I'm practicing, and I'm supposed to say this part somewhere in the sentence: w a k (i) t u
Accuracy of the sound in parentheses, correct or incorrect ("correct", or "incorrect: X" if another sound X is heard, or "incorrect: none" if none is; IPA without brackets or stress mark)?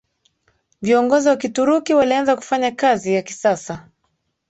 correct